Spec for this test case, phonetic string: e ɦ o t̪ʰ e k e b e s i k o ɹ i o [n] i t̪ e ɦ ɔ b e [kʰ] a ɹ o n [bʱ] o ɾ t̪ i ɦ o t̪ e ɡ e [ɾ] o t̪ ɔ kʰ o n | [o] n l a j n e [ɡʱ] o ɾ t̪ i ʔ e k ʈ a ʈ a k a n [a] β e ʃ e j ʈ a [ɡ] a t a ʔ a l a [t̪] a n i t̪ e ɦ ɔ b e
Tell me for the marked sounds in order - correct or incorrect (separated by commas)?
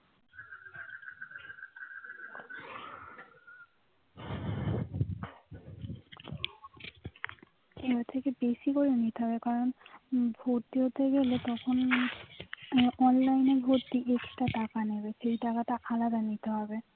correct, incorrect, correct, incorrect, incorrect, incorrect, incorrect, incorrect, incorrect